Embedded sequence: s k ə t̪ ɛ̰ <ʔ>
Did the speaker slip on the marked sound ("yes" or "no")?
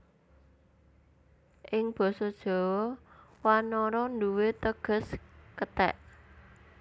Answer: no